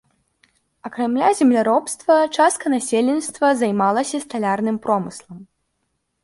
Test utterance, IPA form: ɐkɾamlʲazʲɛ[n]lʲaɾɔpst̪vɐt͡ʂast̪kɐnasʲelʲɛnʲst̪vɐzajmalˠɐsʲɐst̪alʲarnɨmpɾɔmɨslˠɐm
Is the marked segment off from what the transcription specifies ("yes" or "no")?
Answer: yes